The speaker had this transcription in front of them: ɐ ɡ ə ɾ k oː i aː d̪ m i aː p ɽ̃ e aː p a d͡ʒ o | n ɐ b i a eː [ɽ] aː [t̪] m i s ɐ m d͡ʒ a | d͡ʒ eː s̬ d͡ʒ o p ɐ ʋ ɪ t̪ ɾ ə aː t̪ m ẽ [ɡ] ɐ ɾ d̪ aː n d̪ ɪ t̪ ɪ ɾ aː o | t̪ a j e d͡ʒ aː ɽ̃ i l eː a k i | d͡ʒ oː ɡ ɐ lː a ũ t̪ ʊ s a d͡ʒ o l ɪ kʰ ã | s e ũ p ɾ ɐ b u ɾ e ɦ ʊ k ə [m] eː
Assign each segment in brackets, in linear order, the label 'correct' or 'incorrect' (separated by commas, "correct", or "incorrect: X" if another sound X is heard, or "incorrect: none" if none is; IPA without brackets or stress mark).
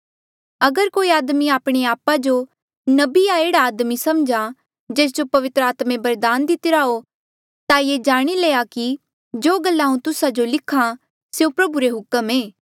correct, incorrect: d̪, incorrect: b, correct